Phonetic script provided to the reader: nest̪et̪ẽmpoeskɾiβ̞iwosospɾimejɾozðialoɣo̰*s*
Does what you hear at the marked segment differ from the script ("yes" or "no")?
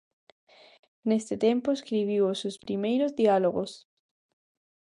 no